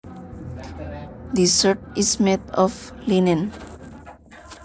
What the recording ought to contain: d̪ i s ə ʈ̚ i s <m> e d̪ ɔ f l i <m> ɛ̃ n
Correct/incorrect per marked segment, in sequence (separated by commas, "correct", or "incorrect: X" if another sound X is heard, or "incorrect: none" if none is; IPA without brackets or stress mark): correct, incorrect: n